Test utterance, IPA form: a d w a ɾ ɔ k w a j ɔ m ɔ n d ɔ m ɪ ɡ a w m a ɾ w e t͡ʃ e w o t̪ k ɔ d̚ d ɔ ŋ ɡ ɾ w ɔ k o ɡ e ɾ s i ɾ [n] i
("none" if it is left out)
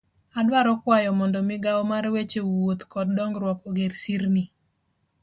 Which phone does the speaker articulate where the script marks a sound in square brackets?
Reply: n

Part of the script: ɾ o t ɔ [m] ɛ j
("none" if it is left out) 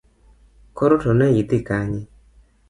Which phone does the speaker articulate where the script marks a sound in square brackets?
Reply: n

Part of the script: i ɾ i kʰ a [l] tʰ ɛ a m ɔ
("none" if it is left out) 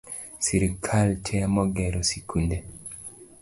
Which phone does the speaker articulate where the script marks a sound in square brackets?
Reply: l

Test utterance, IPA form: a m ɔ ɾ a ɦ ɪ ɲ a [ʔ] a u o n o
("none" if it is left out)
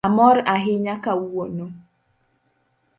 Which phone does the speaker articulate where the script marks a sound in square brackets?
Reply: k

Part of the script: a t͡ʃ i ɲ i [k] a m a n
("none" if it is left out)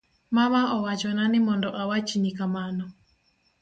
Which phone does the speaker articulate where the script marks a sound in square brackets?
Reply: k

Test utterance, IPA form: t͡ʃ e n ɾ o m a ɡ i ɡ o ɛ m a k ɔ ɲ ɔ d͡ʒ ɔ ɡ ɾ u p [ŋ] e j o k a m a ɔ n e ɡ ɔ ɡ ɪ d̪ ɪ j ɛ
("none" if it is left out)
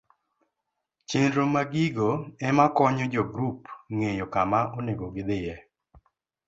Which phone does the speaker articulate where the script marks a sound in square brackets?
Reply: ŋ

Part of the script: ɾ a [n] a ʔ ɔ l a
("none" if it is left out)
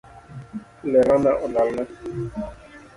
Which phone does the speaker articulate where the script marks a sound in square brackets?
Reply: n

